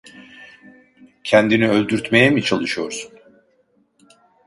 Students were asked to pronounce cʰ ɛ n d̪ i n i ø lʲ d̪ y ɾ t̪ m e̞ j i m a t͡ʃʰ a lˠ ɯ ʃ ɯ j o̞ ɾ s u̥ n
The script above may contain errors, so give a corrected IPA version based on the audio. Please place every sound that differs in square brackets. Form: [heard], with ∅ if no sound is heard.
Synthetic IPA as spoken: cʰ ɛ n d̪ i n i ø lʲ d̪ y ɾ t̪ m e̞ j [ɛ] m [i] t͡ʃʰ a lˠ ɯ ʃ ɯ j o̞ ɾ s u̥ n